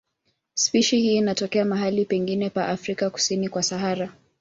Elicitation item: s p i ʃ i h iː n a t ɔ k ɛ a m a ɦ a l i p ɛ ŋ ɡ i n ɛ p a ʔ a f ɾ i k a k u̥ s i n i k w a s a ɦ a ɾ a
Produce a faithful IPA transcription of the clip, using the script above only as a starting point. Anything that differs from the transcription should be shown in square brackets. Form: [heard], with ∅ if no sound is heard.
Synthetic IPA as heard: s p i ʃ i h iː n a t ɔ k ɛ a m a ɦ a l i p ɛ ŋ ɡ i n ɛ p a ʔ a f ɾ i k a k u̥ s i n i k w a s a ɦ a ɾ a